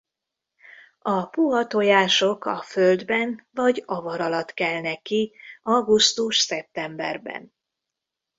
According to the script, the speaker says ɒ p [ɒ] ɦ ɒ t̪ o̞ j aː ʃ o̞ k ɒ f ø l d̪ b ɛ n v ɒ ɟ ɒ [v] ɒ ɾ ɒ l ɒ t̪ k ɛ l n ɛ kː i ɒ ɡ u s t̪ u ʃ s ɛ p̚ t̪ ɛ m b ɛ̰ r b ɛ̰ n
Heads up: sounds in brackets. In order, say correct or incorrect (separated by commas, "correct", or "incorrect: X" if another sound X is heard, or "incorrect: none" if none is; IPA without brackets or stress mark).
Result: incorrect: u, correct